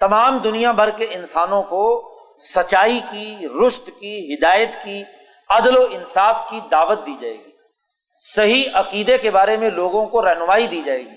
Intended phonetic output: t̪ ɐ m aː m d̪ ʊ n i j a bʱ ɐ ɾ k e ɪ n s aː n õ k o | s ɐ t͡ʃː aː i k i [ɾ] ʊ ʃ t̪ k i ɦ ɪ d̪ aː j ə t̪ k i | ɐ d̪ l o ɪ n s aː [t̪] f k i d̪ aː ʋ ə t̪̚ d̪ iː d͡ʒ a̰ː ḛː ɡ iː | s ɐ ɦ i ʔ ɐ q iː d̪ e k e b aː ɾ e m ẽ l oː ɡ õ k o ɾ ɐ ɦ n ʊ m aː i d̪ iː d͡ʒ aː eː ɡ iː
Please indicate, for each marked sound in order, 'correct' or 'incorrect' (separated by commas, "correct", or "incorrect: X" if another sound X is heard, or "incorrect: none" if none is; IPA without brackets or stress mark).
correct, incorrect: none